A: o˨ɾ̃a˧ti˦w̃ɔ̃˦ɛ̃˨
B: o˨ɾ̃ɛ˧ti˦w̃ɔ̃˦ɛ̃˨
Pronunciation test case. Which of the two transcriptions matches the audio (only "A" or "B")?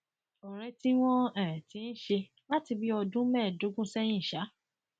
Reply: B